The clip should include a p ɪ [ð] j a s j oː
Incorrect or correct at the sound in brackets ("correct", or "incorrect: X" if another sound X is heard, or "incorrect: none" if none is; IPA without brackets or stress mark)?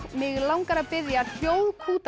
correct